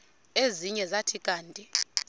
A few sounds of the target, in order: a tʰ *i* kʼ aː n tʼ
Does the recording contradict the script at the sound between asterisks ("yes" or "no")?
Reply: no